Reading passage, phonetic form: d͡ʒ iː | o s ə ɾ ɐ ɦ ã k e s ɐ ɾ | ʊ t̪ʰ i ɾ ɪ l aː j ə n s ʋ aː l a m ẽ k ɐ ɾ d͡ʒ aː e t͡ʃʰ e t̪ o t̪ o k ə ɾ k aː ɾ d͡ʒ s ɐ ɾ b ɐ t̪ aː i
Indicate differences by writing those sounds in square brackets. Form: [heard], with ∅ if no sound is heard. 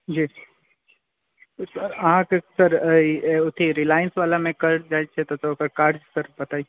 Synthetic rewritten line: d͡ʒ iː | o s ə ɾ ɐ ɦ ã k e s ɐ ɾ | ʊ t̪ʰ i ɾ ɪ l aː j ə n s ʋ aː l a m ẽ k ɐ ɾ d͡ʒ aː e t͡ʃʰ e t̪ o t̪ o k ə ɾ k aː ɾ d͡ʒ s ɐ ɾ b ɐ t̪ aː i